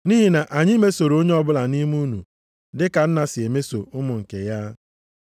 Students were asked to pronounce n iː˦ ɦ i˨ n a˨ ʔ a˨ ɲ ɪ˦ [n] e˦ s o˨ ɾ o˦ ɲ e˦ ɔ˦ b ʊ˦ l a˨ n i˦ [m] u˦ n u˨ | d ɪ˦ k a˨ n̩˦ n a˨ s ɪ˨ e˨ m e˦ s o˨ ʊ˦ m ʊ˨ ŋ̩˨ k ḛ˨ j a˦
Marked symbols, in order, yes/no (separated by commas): no, yes